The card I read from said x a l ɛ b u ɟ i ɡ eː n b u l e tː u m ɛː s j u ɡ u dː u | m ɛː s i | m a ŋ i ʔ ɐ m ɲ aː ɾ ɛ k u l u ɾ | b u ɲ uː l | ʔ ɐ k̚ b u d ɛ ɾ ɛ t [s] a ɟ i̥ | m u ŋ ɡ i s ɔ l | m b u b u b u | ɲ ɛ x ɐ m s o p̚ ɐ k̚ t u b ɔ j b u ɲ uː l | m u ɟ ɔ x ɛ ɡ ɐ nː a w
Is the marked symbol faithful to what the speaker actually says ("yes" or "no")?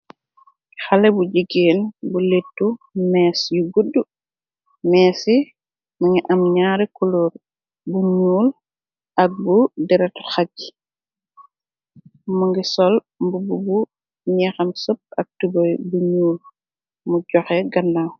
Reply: no